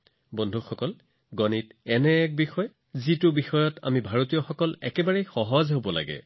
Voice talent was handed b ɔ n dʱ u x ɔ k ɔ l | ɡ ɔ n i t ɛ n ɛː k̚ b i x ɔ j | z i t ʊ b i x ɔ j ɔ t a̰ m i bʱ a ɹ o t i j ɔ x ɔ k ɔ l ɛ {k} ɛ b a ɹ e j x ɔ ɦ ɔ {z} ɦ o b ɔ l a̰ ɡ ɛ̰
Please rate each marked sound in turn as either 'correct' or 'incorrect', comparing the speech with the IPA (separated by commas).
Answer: correct, correct